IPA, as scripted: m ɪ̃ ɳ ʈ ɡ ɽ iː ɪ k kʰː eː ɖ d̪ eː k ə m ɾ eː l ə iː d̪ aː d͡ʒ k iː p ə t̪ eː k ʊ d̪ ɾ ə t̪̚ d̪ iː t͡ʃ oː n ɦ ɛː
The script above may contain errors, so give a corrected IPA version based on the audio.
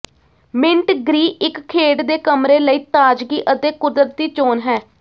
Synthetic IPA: m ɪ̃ ɳ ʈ ɡ ɾ iː ɪ k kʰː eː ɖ d̪ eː k ə m ɾ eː l ə iː t̪ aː d͡ʒ ɡ iː ʔ ə t̪ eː k ʊ d̪ ɾ ə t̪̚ d̪ iː t͡ʃ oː n ɦ ɛː

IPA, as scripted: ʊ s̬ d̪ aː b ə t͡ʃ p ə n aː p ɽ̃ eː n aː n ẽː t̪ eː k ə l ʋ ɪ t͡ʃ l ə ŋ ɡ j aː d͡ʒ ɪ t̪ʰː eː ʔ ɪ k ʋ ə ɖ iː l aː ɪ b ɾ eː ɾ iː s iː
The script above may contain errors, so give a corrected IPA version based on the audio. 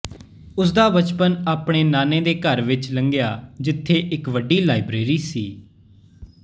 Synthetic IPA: ʊ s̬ d̪ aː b ə t͡ʃ p ə n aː p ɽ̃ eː n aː n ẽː d̪ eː k ə ɾ ʋ ɪ t͡ʃ l ə ŋ ɡ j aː d͡ʒ ɪ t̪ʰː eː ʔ ɪ k ʋ ə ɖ iː l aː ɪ b ɾ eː ɾ iː s iː

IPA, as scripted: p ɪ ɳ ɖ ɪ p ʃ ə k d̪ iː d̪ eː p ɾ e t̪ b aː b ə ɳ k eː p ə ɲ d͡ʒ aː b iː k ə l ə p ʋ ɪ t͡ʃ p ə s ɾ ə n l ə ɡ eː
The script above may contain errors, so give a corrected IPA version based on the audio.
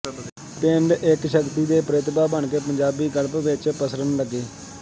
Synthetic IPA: p ɪ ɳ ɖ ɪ k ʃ ə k t̪ iː d̪ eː p ɾ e t̪ b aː b ə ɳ k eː p ə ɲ d͡ʒ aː b iː ɡ ə l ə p ʋ ɪ t͡ʃ p ə s ɾ ə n l ə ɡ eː

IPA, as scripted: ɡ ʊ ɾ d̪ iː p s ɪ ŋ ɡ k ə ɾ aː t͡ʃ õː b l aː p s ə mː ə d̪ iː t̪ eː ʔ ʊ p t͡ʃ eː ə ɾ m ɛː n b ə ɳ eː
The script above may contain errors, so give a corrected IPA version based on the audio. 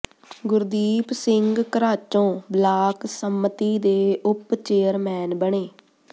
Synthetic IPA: ɡ ʊ ɾ d̪ iː p s ɪ ŋ ɡ k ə ɾ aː t͡ʃ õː b l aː k s ə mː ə t̪ iː d̪ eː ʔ ʊ p t͡ʃ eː ə ɾ m ɛː n b ə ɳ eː

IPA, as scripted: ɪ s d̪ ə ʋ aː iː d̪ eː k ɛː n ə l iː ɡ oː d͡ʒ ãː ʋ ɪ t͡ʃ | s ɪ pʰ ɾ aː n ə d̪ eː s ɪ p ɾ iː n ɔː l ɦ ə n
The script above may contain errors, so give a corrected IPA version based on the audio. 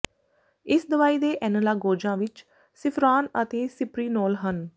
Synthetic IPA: ɪ s d̪ ə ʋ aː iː d̪ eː ʔ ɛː n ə l aː ɡ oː d͡ʒ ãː ʋ ɪ t͡ʃ | s ɪ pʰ ɾ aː n ə t̪ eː s ɪ p ɾ iː n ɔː l ɦ ə n

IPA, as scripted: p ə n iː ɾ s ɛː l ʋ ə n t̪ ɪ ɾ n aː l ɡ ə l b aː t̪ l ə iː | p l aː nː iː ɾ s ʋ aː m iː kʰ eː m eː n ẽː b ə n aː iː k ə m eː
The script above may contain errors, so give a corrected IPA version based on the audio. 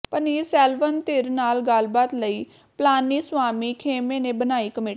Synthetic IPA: p ə n iː ɾ s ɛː l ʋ ə n t̪ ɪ ɾ n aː l ɡ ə l b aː t̪ l ə iː | p l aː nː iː s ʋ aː m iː kʰ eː m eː n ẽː b ə n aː iː k ə m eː

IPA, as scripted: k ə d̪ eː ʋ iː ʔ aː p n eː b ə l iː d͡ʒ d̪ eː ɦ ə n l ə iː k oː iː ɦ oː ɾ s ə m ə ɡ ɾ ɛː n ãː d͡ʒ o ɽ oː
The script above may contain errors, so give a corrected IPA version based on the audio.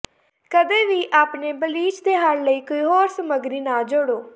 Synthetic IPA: k ə d̪ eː ʋ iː ʔ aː p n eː b ə l iː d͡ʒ d̪ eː ɦ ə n l ə iː k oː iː ɦ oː ɾ s ə m ə ɡ ɾ iː n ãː d͡ʒ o ɽ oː

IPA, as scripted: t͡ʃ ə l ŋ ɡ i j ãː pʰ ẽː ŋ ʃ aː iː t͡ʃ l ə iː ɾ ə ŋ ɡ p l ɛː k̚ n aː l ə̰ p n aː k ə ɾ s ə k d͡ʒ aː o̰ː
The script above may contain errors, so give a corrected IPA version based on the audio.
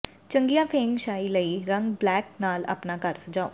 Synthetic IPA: t͡ʃ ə ŋ ɡ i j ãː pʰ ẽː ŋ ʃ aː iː l ə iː ɾ ə ŋ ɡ b l ɛː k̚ n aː l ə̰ p n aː k ə ɾ s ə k d͡ʒ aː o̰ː

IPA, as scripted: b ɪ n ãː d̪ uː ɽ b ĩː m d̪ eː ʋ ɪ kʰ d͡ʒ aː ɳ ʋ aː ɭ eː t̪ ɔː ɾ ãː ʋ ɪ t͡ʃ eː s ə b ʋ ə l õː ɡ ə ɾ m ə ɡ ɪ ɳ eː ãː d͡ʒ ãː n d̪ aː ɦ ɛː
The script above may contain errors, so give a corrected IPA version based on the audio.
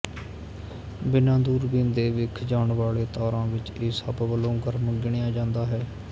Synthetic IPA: b ɪ n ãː d̪ uː ɾ b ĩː n d̪ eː ʋ ɪ kʰ d͡ʒ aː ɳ ʋ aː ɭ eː t̪ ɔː ɾ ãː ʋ ɪ t͡ʃ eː s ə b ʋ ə l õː ɡ ə ɾ m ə ɡ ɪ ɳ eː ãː d͡ʒ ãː n d̪ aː ɦ ɛː

